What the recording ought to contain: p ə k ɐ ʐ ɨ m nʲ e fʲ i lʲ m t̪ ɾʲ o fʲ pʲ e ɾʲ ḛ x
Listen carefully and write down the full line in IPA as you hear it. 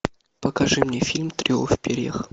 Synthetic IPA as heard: p ə k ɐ ʐ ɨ m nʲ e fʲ i lʲ m t̪ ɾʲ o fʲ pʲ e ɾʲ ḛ x